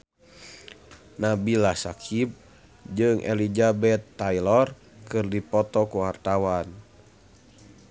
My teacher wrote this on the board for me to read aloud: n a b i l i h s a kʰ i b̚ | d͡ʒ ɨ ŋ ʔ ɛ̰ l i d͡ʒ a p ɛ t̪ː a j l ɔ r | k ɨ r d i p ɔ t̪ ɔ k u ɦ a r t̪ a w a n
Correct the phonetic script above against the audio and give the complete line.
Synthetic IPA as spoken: n a b i l a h s a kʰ i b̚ | d͡ʒ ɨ ŋ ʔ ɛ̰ l i d͡ʒ a b ɛ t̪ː a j l ɔ r | k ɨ r d i p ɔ t̪ ɔ k u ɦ a r t̪ a w a n